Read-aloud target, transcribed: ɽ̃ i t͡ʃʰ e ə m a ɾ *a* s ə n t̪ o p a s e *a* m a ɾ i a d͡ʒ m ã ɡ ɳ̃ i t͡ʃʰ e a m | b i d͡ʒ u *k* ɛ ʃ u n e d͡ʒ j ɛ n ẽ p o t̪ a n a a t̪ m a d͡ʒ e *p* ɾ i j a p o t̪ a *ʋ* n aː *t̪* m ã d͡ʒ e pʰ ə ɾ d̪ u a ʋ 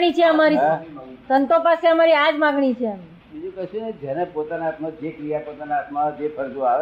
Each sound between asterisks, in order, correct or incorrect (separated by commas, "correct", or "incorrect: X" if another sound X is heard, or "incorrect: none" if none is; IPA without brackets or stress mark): incorrect: i, incorrect: ə, correct, incorrect: k, incorrect: none, correct